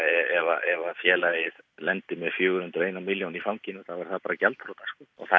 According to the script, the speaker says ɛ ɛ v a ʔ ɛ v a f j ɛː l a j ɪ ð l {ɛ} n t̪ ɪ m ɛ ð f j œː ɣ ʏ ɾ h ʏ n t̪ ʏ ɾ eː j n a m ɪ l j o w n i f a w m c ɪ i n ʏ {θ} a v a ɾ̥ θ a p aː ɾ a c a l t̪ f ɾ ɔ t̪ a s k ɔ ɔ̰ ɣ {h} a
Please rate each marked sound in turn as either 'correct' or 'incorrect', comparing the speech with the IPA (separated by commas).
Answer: correct, correct, incorrect